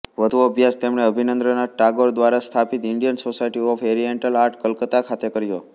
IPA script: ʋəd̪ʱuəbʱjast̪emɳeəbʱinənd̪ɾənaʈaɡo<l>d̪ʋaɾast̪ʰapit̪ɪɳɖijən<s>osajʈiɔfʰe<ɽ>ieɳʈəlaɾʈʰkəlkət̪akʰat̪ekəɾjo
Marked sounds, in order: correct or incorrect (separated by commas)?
incorrect, correct, incorrect